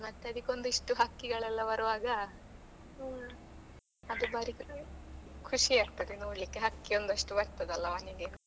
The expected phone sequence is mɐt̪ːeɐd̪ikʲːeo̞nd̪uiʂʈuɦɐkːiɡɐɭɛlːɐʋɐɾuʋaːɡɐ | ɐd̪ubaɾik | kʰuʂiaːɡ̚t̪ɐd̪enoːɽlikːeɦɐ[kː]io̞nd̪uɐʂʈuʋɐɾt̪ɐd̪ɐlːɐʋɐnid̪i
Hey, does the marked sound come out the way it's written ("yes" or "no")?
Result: yes